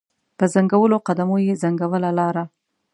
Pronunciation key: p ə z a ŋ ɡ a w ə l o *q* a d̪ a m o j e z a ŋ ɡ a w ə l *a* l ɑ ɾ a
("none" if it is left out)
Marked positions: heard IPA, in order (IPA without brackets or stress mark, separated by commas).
q, a